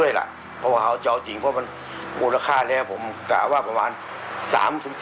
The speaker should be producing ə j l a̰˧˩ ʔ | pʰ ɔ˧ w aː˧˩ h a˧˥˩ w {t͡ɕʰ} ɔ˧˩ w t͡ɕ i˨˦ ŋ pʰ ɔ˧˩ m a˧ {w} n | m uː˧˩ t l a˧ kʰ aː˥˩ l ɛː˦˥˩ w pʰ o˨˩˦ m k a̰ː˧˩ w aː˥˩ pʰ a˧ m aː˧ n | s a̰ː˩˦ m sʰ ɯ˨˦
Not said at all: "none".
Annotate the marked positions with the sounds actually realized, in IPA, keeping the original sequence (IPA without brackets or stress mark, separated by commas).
t͡ɕ, none